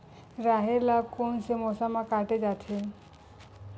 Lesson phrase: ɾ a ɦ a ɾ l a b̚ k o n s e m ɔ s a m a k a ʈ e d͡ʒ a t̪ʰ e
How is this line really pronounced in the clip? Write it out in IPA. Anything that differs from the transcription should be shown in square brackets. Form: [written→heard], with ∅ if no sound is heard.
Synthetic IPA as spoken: ɾ a ɦ [a→e] ɾ l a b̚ k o n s e m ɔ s a m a k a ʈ e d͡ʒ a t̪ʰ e